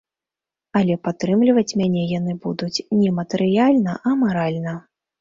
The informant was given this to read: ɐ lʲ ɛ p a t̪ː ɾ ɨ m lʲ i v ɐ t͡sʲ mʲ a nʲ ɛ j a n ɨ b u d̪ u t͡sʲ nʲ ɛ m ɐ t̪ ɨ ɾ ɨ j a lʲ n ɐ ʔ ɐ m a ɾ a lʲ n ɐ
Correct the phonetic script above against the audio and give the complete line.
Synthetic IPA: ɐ lʲ ɛ p a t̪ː ɾ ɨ m lʲ i v ɐ t͡sʲ mʲ a nʲ ɛ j a n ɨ b u d̪ u t͡sʲ nʲ ɛ m ɐ t̪ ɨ ɾ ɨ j a lʲ n ɐ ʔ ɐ m a ɾ a lʲ n ɐ